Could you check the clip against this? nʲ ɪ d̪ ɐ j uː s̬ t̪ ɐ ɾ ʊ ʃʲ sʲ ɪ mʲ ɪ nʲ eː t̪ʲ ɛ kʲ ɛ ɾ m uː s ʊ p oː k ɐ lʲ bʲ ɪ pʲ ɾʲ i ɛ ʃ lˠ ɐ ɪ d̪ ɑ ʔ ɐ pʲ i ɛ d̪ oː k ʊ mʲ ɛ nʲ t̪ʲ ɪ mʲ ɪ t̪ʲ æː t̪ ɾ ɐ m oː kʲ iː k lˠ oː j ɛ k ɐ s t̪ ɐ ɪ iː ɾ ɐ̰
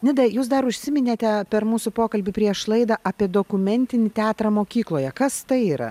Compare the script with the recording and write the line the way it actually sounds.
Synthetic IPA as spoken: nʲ ɪ d̪ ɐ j uː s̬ d̪ ɐ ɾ ʊ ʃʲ sʲ ɪ mʲ ɪ nʲ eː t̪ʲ ɛ pʲ ɛ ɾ m uː s ʊ p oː k ɐ lʲ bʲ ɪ pʲ ɾʲ i ɛ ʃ lˠ ɐ ɪ d̪ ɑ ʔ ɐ pʲ i ɛ d̪ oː k ʊ mʲ ɛ nʲ t̪ʲ ɪ nʲ ɪ t̪ʲ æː t̪ ɾ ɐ m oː kʲ iː k lˠ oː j ɛ k ɐ s t̪ ɐ ɪ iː ɾ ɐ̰